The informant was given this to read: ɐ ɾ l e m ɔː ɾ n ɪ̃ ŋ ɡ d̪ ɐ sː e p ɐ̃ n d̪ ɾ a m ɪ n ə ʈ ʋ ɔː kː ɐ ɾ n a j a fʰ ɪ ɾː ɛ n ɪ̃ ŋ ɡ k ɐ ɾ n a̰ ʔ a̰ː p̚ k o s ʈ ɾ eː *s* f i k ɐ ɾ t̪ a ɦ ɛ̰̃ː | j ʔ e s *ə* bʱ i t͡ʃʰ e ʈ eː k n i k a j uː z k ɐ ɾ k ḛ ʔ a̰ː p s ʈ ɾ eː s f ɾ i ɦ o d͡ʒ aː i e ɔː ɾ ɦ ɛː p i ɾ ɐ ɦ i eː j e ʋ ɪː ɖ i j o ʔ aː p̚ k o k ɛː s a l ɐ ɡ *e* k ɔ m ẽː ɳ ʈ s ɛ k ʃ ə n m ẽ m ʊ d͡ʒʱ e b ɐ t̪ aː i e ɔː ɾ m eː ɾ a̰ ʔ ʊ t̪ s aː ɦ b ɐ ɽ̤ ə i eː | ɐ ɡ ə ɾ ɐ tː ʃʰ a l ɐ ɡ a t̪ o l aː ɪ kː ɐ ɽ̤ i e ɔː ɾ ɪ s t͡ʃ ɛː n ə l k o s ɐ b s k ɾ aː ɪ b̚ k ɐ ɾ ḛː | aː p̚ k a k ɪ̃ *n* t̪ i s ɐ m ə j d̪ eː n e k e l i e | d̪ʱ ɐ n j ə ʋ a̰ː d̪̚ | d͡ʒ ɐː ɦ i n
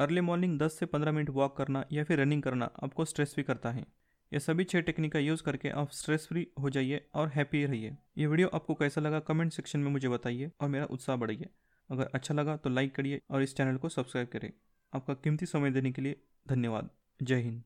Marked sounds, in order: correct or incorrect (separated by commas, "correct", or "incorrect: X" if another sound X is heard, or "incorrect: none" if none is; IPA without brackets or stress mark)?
correct, incorrect: ɐ, incorrect: a, incorrect: m